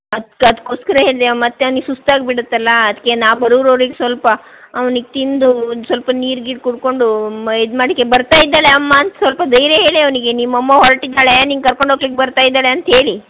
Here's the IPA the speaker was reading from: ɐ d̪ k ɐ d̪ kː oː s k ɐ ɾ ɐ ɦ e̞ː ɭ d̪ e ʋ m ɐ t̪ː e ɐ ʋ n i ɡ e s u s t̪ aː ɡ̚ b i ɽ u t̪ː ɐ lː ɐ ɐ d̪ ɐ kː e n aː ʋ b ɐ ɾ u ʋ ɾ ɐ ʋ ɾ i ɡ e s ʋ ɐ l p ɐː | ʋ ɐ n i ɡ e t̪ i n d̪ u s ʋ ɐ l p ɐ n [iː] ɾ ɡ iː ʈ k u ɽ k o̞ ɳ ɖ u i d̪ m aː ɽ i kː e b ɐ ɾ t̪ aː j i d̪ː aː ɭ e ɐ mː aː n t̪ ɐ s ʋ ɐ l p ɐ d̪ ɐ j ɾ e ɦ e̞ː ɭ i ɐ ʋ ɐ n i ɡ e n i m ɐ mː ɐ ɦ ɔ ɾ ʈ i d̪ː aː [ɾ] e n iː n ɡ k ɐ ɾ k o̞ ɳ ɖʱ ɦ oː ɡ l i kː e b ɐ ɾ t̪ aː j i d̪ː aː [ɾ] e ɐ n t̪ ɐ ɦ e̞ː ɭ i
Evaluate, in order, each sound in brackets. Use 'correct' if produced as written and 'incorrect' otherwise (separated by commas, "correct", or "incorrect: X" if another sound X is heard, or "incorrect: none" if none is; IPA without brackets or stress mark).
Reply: correct, incorrect: ɭ, incorrect: ɭ